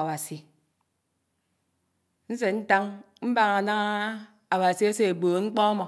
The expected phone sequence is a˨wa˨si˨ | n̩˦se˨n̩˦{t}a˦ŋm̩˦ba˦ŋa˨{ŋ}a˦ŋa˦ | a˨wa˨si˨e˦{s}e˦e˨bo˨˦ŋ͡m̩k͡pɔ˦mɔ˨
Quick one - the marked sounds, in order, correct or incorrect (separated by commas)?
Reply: correct, incorrect, correct